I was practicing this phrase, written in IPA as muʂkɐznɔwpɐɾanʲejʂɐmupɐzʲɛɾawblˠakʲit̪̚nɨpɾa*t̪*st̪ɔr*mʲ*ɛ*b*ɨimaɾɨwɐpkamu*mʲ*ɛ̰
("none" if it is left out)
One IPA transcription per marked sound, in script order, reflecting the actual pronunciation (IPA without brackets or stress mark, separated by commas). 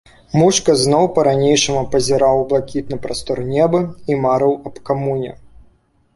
none, nʲ, b, nʲ